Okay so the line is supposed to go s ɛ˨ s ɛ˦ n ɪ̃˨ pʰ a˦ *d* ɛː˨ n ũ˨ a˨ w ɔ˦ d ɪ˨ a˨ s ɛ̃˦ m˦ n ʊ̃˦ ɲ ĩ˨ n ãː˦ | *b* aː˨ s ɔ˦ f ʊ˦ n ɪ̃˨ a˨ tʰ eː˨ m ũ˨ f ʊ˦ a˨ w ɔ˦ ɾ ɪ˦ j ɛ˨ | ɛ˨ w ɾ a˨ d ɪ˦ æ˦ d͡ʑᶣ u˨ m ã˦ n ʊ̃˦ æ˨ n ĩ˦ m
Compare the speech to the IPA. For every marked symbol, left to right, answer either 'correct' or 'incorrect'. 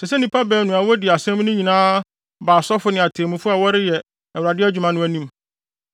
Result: incorrect, correct

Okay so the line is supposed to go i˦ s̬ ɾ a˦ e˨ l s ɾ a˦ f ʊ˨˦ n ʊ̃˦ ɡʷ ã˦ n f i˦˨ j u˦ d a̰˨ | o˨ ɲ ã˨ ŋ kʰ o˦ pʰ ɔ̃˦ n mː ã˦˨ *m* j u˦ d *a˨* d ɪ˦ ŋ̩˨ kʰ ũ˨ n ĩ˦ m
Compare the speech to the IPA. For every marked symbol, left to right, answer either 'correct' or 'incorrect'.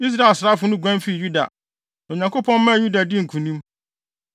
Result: incorrect, correct

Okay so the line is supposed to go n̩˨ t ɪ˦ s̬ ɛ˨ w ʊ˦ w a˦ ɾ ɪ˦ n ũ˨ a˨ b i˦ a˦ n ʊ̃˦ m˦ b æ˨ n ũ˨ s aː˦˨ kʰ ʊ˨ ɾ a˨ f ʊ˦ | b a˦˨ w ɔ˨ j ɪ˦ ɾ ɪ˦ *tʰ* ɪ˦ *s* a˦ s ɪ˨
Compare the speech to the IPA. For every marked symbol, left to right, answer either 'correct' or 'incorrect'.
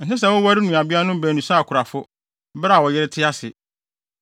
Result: correct, incorrect

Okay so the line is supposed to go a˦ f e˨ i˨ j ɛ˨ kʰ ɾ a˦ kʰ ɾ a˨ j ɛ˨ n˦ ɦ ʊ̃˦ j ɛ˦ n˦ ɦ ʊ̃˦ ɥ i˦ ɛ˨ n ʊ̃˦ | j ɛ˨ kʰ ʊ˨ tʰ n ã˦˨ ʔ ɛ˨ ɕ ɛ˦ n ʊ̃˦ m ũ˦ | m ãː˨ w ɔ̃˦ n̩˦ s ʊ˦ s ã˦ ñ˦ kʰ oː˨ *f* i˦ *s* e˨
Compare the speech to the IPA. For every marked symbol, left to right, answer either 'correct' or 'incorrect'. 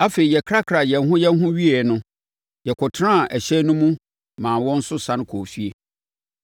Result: correct, incorrect

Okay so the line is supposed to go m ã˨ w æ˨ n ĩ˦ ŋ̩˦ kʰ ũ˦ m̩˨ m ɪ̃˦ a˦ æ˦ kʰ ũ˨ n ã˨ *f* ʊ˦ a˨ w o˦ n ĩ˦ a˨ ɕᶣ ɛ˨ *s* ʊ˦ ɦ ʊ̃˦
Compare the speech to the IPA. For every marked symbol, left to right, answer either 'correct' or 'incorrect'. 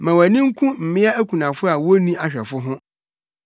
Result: correct, incorrect

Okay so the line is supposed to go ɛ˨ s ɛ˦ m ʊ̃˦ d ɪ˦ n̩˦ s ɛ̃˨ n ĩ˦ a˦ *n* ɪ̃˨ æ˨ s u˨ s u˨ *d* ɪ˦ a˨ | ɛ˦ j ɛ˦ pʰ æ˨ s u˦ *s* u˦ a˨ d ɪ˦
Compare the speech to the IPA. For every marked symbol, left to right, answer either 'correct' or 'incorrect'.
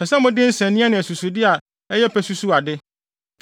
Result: correct, correct, correct

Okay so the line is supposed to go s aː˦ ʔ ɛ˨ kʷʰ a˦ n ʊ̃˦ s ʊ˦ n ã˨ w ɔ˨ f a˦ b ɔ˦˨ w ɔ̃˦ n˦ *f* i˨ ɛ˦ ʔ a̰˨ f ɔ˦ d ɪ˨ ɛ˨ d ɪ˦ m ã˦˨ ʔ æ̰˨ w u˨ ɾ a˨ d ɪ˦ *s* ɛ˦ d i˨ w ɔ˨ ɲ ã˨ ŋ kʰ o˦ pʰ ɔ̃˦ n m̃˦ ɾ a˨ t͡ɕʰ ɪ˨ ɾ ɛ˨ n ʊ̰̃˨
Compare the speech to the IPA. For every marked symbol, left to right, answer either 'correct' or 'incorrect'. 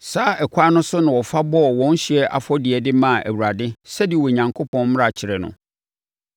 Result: incorrect, correct

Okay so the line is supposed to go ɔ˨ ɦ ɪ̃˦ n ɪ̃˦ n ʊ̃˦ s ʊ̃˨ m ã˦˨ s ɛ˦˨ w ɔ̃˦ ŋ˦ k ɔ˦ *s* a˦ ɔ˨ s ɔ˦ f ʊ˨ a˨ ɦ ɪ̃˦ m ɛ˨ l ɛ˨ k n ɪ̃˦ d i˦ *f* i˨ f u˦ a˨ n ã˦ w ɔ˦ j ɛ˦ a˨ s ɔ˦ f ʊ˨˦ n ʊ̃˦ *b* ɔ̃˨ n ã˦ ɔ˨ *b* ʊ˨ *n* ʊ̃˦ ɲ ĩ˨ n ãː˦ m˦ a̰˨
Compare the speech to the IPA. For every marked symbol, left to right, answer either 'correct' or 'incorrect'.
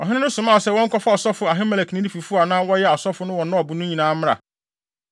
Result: incorrect, correct, incorrect, correct, correct

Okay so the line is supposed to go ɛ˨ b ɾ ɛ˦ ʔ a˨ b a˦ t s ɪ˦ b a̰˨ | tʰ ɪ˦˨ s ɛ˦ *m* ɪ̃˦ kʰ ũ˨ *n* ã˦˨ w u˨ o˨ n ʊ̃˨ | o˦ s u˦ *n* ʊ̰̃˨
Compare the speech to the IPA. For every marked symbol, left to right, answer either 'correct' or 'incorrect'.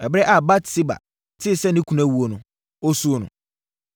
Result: incorrect, correct, correct

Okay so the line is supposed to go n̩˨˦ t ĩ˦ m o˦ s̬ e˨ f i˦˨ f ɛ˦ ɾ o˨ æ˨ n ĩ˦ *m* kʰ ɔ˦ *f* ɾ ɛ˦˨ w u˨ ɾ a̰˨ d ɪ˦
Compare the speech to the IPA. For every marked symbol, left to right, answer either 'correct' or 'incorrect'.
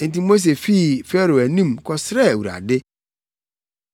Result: correct, incorrect

